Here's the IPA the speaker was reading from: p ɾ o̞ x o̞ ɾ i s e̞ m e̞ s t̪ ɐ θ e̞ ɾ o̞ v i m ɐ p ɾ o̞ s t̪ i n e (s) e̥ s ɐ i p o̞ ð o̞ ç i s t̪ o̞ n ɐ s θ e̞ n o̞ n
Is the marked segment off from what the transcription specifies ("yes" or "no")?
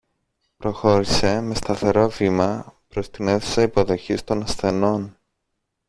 yes